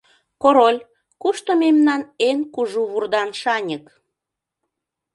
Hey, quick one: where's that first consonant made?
velum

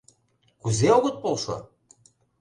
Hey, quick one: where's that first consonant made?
velum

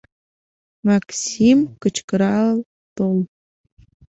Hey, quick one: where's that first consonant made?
lips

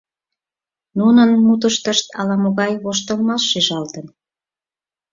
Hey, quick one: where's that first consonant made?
tongue tip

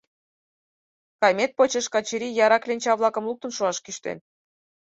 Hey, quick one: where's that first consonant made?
velum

